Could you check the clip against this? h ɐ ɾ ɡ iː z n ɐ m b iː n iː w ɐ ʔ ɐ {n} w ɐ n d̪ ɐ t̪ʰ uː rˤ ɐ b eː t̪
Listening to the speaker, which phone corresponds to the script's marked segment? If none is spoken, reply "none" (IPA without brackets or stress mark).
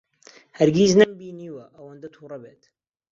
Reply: none